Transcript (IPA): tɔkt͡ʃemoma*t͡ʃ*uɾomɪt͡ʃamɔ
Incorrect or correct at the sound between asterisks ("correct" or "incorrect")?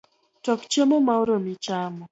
incorrect